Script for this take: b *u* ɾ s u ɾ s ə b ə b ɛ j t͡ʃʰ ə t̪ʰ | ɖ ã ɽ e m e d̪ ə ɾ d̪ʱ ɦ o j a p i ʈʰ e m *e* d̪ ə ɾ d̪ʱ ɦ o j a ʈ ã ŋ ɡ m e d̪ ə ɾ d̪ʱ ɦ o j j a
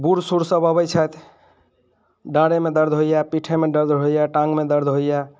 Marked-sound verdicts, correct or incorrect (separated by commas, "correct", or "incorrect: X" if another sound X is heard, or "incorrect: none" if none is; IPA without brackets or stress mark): correct, correct